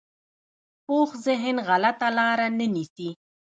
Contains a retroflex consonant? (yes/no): no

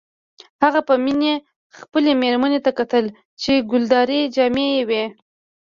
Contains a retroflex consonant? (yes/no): no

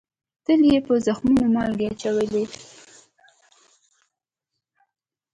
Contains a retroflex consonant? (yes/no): no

